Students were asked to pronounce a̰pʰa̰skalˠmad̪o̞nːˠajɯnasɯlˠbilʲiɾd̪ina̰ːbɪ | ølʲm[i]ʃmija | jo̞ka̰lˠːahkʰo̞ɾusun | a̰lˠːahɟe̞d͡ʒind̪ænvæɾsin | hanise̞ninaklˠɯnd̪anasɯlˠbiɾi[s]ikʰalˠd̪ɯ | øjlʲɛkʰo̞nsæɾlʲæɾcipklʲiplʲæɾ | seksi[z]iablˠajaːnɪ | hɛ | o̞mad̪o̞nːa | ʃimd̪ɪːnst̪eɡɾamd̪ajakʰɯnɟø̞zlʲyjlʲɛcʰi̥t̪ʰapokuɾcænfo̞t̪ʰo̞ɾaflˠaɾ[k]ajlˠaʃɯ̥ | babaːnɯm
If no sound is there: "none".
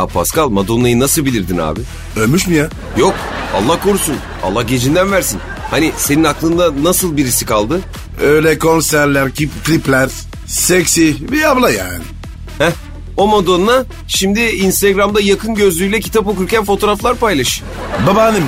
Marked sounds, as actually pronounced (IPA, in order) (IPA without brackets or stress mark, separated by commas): y, s, v, p